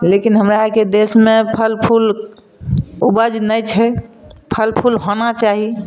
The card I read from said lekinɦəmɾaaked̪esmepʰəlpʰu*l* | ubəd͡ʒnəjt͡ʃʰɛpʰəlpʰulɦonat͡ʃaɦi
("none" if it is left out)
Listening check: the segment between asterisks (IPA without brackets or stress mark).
l